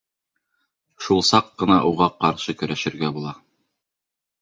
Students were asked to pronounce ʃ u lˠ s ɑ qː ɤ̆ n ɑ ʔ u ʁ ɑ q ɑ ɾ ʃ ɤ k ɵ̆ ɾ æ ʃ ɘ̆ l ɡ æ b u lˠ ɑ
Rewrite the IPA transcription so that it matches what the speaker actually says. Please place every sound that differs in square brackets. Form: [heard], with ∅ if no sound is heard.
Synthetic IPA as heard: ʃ u lˠ s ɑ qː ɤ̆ n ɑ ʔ u ʁ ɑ q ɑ ɾ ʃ ɤ k ɵ̆ ɾ æ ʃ ɘ̆ [ɾ] ɡ æ b u lˠ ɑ